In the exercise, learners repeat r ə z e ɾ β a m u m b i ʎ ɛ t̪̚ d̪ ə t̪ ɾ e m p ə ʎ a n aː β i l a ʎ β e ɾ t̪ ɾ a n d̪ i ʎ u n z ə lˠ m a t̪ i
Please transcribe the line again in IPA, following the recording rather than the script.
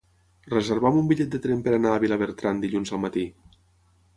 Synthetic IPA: r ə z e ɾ β a m u m b i ʎ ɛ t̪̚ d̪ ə t̪ ɾ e m p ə ɾ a n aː β i l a β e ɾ t̪ ɾ a n d̪ i ʎ u n z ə lˠ m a t̪ i